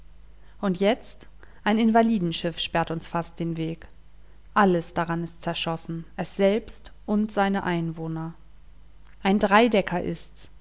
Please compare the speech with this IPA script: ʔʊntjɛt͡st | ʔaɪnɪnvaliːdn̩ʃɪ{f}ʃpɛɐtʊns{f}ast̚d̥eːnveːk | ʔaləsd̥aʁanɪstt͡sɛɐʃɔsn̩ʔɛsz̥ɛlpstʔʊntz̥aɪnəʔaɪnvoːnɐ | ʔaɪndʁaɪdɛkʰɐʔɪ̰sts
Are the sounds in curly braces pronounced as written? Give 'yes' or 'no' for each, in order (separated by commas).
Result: yes, yes